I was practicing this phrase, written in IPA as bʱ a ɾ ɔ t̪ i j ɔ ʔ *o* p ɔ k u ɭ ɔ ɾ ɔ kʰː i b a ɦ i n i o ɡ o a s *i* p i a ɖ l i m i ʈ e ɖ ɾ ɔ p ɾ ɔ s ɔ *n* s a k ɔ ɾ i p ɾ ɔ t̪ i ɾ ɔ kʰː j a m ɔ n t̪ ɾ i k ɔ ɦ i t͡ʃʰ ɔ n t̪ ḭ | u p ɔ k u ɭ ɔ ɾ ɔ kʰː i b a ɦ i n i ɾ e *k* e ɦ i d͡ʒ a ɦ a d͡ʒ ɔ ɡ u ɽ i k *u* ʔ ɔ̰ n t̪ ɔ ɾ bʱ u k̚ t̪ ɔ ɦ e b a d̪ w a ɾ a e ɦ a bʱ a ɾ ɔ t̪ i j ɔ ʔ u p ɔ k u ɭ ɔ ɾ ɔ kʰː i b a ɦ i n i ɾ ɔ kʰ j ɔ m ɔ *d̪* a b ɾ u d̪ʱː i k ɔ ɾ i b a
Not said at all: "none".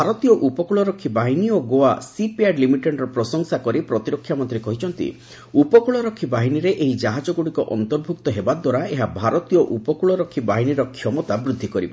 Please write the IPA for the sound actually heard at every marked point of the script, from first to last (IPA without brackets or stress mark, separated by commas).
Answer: u, i, ŋ, ʔ, ɔ, t̪